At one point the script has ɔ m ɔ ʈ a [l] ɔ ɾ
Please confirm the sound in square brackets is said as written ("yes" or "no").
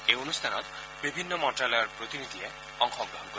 yes